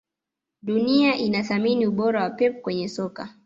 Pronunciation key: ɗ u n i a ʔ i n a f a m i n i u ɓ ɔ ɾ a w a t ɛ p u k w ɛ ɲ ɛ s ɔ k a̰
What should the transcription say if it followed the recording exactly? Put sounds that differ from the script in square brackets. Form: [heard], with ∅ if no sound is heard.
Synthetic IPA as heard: ɗ u n i a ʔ i n a [θ] a m i n i u ɓ ɔ ɾ a w a [p] ɛ p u k w ɛ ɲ ɛ s ɔ k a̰

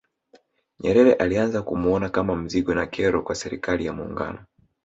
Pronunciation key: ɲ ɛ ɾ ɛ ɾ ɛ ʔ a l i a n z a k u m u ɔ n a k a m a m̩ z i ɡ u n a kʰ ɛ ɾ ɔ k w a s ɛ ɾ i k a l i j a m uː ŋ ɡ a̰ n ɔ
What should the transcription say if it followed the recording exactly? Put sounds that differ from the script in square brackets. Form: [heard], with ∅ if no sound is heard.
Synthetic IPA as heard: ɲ ɛ ɾ ɛ ɾ ɛ ʔ a l i a n z a k u m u ɔ n a k a m a m̩ z i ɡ [ɔ] n a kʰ ɛ ɾ ɔ k w a s ɛ ɾ i k a l i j a m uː ŋ ɡ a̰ n ɔ

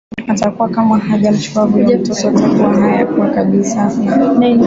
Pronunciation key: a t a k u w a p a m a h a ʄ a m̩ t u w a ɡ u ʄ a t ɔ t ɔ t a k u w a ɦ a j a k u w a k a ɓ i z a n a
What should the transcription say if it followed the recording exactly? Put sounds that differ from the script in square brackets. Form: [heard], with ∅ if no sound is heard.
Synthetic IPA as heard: a t a k u w a [k] a m a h a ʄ a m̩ [t͡ʃ] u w a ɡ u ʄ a t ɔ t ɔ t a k u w a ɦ a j a k u w a k a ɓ i [s] a n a

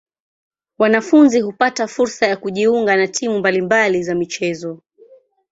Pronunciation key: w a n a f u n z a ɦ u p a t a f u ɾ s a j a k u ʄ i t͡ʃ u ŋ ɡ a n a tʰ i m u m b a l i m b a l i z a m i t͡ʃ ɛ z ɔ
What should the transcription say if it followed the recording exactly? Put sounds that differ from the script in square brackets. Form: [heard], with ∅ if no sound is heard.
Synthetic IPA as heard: w a n a f u n z [i] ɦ u p a t a f u ɾ s a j a k u ʄ i [∅] u ŋ ɡ a n a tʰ i m u m b a l i m b a l i z a m i t͡ʃ ɛ z ɔ

